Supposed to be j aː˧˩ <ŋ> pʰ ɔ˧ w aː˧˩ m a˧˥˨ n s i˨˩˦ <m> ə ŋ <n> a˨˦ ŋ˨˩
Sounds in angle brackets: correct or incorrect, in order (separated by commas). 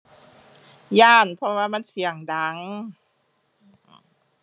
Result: incorrect, incorrect, incorrect